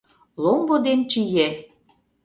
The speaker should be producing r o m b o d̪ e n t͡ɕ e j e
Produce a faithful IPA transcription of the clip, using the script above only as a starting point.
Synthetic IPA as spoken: l o m b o d̪ e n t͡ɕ i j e